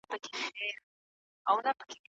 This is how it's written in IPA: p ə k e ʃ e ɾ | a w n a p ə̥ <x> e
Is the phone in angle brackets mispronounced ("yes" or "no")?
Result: yes